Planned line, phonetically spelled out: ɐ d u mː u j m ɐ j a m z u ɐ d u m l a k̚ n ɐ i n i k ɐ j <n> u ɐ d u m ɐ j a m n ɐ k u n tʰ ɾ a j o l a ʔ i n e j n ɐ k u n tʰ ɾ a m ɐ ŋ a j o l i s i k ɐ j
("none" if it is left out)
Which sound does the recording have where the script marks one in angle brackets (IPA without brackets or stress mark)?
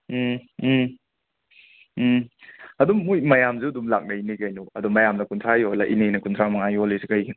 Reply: n